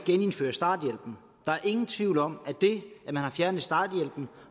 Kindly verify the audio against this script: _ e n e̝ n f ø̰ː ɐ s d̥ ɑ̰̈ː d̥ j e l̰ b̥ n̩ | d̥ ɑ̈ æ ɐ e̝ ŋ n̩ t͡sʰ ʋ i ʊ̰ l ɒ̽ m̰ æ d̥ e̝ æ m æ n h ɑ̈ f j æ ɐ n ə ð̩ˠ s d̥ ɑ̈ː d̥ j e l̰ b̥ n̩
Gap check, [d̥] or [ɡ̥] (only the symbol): ɡ̥